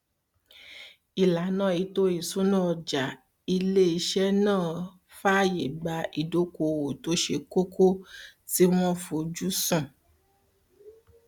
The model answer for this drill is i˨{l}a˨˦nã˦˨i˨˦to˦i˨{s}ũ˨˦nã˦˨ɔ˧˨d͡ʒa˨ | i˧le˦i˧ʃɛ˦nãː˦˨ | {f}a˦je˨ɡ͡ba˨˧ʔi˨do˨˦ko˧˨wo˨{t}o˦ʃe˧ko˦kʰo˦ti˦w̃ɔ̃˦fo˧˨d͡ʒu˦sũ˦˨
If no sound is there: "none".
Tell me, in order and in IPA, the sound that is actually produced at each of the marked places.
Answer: l, s, f, t

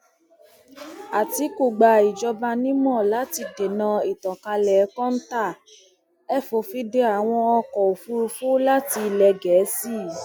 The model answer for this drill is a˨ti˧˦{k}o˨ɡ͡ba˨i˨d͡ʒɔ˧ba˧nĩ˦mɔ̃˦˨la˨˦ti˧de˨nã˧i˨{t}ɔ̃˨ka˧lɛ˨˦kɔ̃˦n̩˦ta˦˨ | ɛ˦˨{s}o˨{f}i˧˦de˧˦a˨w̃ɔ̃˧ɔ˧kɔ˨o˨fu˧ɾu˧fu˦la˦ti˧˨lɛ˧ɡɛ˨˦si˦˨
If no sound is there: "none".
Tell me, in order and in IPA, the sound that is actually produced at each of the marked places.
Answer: k, t, f, f

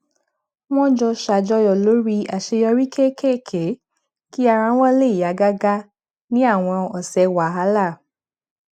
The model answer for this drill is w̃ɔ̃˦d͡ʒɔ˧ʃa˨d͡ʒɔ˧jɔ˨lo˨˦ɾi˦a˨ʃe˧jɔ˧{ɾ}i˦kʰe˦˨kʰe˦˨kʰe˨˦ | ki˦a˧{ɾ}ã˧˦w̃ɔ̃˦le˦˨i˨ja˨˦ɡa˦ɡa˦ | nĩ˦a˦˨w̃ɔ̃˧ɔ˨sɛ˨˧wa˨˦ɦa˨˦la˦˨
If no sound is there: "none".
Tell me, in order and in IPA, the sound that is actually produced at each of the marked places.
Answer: ɾ, ɾ

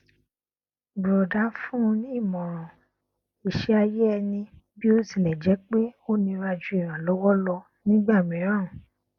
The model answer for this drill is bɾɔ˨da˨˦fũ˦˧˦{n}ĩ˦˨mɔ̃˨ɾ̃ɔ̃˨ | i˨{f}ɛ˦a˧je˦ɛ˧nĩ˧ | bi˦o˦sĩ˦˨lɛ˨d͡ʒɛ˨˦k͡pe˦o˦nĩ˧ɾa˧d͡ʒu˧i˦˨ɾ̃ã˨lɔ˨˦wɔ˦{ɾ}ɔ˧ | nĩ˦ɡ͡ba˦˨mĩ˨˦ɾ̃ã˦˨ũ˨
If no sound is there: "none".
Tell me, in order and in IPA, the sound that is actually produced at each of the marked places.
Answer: n, ʃ, l

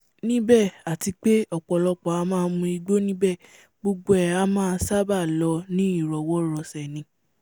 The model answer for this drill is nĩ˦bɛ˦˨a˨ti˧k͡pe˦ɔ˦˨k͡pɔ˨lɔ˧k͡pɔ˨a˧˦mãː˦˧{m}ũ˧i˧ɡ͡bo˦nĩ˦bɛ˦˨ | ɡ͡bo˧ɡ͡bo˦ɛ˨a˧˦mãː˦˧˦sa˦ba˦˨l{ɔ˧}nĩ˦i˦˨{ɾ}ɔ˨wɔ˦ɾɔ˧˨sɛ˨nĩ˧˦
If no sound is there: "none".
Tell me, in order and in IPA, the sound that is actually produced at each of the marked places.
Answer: m, ɔ˧, ɾ

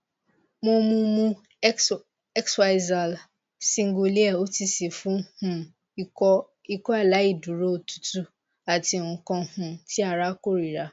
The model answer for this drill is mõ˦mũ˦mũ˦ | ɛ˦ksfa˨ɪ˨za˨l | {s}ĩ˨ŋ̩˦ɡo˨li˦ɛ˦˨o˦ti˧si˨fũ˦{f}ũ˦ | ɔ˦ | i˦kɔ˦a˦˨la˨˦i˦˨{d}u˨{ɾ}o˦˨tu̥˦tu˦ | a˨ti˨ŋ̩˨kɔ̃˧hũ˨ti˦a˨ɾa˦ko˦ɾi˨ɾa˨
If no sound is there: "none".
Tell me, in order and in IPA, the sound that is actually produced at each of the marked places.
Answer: s, h, d, ɾ

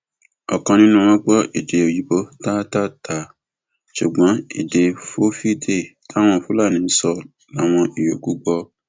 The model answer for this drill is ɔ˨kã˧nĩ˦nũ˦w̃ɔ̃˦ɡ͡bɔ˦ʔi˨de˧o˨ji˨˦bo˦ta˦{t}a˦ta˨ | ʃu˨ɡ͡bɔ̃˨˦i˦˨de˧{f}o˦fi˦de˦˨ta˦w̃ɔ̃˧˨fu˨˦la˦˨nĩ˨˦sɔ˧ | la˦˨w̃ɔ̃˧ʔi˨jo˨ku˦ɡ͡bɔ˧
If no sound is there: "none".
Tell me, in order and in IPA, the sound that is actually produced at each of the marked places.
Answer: t, f

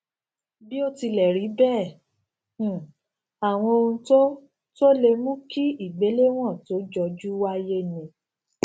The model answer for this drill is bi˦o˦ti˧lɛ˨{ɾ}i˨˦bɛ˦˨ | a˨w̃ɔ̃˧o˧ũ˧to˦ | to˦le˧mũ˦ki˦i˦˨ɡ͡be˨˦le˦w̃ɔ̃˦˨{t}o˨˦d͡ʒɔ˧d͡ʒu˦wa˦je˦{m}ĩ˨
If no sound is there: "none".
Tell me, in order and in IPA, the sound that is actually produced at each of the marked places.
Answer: ɾ, t, n

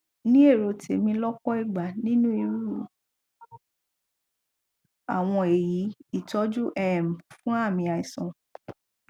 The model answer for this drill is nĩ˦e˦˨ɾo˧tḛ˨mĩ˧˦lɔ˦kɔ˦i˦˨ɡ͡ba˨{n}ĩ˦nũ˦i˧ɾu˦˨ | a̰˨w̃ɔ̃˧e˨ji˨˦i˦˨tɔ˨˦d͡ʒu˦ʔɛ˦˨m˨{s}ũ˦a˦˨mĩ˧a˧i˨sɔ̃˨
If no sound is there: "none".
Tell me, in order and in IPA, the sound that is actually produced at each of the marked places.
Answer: n, f

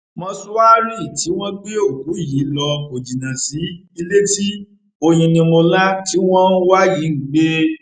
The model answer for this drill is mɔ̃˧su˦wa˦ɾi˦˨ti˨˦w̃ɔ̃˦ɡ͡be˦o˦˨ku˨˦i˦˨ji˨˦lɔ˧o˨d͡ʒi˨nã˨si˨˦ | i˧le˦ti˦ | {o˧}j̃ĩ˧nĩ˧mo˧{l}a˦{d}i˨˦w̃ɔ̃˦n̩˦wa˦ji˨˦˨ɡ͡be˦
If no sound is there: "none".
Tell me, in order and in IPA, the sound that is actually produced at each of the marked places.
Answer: o˧, l, t

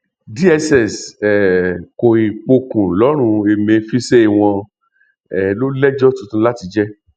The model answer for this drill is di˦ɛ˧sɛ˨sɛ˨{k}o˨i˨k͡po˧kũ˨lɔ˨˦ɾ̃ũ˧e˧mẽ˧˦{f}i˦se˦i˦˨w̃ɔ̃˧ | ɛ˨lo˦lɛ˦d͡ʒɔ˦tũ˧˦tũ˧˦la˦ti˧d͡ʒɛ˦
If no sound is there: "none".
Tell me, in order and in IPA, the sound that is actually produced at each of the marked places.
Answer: k, f

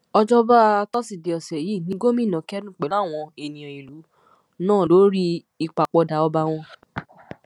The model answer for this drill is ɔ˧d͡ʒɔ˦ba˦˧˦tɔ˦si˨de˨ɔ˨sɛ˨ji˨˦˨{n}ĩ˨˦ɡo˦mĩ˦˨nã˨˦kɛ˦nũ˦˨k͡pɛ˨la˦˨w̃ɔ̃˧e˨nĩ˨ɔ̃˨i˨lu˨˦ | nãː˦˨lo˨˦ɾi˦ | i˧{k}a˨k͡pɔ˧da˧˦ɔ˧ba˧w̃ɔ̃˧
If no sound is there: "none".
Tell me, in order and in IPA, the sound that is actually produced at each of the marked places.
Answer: n, k͡p

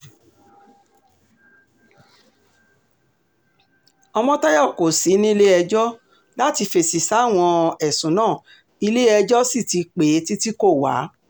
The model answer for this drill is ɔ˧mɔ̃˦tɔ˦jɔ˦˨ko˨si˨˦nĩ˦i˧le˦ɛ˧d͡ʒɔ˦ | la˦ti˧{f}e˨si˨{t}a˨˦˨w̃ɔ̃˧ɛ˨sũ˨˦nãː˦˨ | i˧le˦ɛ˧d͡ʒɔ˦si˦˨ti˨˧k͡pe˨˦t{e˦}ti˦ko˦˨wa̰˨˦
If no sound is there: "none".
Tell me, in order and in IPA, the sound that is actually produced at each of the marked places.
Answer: f, s, i˦

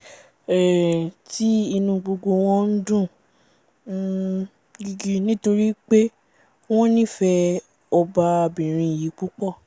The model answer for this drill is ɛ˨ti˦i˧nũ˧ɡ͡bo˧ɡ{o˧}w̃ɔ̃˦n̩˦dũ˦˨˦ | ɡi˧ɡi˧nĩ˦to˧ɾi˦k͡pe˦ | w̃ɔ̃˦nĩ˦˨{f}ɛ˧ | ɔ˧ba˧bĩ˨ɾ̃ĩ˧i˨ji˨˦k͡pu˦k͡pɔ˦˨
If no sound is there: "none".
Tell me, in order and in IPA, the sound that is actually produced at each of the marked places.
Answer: o˧, f

